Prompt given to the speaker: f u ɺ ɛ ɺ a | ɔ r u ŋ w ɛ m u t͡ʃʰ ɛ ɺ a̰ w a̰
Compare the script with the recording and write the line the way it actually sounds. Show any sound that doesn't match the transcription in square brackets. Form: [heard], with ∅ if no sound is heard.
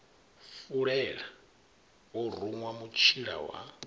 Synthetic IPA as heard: f u ɺ ɛ ɺ a | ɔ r u ŋ w [a] m u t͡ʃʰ [i] ɺ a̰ w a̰